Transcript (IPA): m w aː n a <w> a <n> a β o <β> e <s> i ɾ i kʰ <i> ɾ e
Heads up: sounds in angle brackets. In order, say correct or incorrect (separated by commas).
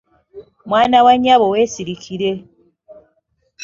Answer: correct, incorrect, incorrect, correct, correct